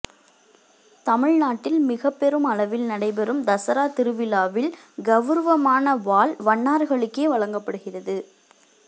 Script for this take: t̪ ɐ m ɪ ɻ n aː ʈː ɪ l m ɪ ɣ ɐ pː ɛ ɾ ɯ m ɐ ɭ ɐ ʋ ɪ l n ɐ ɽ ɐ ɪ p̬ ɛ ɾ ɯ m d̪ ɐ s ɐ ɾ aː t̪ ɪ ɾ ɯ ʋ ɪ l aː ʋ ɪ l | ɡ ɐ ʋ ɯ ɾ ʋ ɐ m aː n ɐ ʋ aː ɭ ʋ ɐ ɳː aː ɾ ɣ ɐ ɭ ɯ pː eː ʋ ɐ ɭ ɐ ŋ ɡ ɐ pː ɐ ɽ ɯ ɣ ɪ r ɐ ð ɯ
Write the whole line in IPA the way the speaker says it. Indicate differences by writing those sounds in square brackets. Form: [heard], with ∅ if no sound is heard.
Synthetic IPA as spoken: t̪ ɐ m ɪ ɻ n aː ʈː ɪ l m ɪ ɣ ɐ pː ɛ ɾ ɯ m ɐ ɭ ɐ ʋ ɪ l n ɐ ɽ ɐ ɪ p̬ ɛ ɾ ɯ m d̪ ɐ s ɐ ɾ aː t̪ ɪ ɾ ɯ ʋ ɪ l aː ʋ ɪ l | ɡ ɐ ʋ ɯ ɾ ʋ ɐ m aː n ɐ ʋ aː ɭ ʋ ɐ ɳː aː ɾ ɣ ɐ ɭ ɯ [kː] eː ʋ ɐ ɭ ɐ ŋ ɡ ɐ pː ɐ ɽ ɯ ɣ ɪ r ɐ ð ɯ